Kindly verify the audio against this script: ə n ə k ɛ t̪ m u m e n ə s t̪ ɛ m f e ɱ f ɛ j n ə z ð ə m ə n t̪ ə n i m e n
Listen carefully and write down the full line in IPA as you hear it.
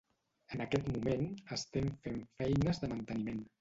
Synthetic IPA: ə n ə k ɛ t̪ m u m e n ə s t̪ ɛ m f e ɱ f ɛ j n ə z ð ə m ə n t̪ ə n i m e n